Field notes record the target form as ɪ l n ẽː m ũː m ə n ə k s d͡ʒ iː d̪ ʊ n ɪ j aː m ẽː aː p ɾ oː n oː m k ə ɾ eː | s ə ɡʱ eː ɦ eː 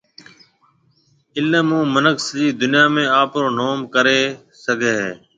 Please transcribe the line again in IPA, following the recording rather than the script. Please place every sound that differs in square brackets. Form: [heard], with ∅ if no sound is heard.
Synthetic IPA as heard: ɪ l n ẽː m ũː m ə n ə k s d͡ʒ iː d̪ ʊ n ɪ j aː m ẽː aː p ɾ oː n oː m k ə ɾ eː | s ə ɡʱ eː ɦ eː